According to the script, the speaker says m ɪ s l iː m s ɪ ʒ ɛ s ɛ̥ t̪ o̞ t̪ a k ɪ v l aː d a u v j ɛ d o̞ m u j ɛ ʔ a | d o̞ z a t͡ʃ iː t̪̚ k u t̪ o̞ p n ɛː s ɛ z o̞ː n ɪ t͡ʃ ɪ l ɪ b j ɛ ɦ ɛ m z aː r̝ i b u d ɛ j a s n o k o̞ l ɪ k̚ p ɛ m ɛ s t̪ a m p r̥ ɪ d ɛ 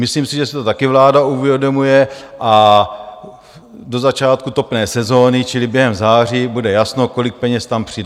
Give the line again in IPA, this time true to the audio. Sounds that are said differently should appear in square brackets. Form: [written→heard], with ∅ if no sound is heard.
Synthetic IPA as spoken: m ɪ s l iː m s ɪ ʒ ɛ s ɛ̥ t̪ o̞ t̪ a k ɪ v l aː d a u v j ɛ d o̞ m u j ɛ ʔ a | d o̞ z a t͡ʃ [iː→aː] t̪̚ k u t̪ o̞ p n ɛː s ɛ z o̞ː n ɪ t͡ʃ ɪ l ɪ b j ɛ ɦ ɛ m z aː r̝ i b u d ɛ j a s n o k o̞ l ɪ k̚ p ɛ [m→ɲ] ɛ s t̪ a m p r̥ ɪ d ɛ

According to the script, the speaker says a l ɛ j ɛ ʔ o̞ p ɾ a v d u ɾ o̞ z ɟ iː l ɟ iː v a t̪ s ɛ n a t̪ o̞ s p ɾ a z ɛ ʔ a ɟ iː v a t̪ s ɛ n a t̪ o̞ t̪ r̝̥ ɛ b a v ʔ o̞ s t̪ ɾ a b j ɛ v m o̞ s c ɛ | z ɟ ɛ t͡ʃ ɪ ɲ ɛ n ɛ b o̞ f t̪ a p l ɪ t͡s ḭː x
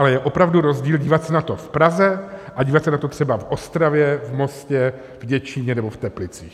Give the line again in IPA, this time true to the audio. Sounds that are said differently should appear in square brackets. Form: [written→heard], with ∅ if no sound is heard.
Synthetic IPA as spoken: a l ɛ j ɛ ʔ o̞ p ɾ a v d u ɾ o̞ z ɟ iː l ɟ iː v a t̪ s ɛ n a t̪ o̞ [s→f] p ɾ a z ɛ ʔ a ɟ iː v a t̪ s ɛ n a t̪ o̞ t̪ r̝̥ ɛ b a v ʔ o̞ s t̪ ɾ a [b→v] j ɛ v m o̞ s c ɛ | [z→v] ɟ ɛ t͡ʃ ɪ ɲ ɛ n ɛ b o̞ f t̪ [a→ɛ] p l ɪ t͡s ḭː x

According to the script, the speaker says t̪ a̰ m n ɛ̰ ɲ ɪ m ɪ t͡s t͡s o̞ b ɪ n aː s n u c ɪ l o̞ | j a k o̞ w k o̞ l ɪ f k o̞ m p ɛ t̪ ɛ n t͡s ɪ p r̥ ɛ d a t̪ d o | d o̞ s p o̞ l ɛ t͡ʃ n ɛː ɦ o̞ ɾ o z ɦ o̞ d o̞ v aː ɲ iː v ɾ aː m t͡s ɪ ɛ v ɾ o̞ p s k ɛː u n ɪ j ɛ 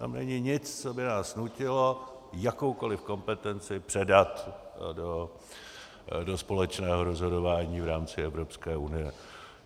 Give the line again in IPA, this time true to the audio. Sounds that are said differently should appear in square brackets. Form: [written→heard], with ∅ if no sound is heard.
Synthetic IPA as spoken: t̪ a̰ m n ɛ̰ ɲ ɪ [m→ɲ] ɪ t͡s t͡s o̞ b ɪ n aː s n u c ɪ l o̞ | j a k o̞ w k o̞ l ɪ f k o̞ m p ɛ t̪ ɛ n t͡s ɪ p r̥ ɛ d a t̪ d o | d o̞ s p o̞ l ɛ t͡ʃ n ɛː ɦ o̞ ɾ o z ɦ o̞ d o̞ v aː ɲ iː v ɾ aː m t͡s ɪ ɛ v ɾ o̞ p s k ɛː u n ɪ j ɛ

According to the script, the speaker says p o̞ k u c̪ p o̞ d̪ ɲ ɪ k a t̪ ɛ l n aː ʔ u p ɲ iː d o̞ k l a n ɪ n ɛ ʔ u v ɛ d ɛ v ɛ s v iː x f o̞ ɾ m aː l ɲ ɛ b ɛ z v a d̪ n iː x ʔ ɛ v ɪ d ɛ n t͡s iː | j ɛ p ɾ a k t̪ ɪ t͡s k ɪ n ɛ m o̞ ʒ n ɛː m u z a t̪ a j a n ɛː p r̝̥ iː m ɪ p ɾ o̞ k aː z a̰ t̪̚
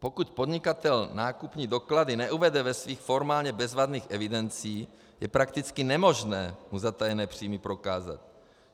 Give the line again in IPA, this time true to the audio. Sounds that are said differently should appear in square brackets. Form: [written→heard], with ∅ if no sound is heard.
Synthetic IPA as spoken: p o̞ k u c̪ p o̞ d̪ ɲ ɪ k a t̪ ɛ l n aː [ʔ→k] u p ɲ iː d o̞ k l a [n→d] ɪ n ɛ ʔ u v ɛ d ɛ v ɛ s v iː x f o̞ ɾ m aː l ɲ ɛ b ɛ z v a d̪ n iː x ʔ ɛ v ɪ d ɛ n t͡s iː | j ɛ p ɾ a k t̪ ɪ t͡s k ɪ n ɛ m o̞ ʒ n ɛː m u z a t̪ a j [a→ɛ] n ɛː p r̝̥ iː m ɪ p ɾ o̞ k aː z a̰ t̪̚

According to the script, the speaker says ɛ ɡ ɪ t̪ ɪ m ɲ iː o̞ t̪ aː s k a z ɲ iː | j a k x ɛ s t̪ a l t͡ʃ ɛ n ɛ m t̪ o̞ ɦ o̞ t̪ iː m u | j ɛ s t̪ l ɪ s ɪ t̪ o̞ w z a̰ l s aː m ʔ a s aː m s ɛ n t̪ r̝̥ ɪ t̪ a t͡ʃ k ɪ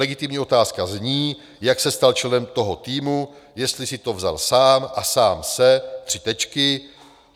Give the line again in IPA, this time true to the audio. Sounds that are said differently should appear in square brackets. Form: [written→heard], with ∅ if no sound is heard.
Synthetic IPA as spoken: ɛ ɡ ɪ t̪ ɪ m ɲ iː o̞ t̪ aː s k a z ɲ iː | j a k [x→s] ɛ s t̪ a l t͡ʃ ɛ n ɛ m t̪ o̞ ɦ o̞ t̪ iː m u | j ɛ s t̪ l ɪ s ɪ t̪ o̞ [w→v] z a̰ l s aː m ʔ a s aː m s ɛ [n→∅] t̪ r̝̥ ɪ t̪ [a→ɛ] t͡ʃ k ɪ

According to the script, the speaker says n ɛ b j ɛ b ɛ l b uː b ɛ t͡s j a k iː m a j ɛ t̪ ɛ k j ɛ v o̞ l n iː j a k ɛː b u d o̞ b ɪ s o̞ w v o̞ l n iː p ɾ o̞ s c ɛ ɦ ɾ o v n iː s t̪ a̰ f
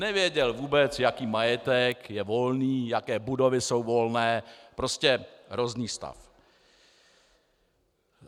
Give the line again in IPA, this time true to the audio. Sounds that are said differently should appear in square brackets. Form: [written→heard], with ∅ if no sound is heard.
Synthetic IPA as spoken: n ɛ [b→v] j ɛ [b→ɟ] ɛ l [b→v] uː b ɛ t͡s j a k iː m a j ɛ t̪ ɛ k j ɛ v o̞ l n iː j a k ɛː b u d o̞ [b→v] ɪ s o̞ w v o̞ l n [iː→ɛː] p ɾ o̞ s c ɛ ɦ ɾ o [v→z] n iː s t̪ a̰ f

